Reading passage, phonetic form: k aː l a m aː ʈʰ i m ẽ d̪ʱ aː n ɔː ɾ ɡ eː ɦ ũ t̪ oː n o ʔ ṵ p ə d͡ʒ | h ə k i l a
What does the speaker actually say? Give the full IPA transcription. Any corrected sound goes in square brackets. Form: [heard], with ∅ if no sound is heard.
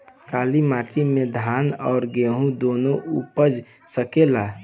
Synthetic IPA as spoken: k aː l [i] m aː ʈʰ i m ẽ d̪ʱ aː n ɔː ɾ ɡ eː ɦ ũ [d̪] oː n o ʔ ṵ p ə d͡ʒ | [s] ə k [e] l a